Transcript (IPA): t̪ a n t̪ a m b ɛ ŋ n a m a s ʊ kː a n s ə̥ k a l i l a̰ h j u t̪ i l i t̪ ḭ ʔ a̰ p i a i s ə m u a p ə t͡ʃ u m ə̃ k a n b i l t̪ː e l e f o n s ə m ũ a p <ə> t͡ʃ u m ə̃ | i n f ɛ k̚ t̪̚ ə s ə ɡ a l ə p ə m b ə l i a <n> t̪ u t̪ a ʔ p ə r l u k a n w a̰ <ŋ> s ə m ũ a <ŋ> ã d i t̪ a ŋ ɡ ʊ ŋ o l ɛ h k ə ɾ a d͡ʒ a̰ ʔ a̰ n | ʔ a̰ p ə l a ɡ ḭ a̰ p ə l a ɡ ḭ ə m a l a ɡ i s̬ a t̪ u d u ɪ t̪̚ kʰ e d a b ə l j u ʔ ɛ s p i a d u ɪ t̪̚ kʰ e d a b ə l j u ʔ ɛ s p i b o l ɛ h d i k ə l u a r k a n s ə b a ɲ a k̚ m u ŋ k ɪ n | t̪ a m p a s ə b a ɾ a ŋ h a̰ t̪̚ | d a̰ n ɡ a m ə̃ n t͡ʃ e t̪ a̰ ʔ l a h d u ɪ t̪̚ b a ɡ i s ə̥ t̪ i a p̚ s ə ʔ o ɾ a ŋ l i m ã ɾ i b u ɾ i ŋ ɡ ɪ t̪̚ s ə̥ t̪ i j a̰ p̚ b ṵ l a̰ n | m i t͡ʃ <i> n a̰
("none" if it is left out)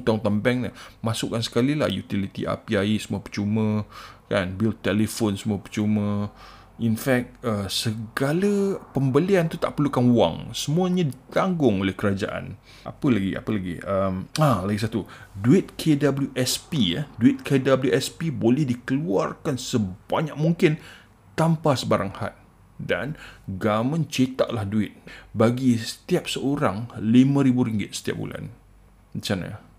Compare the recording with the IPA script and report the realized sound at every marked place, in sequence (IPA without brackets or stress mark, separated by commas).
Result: ə, n, ŋ, ɲ, a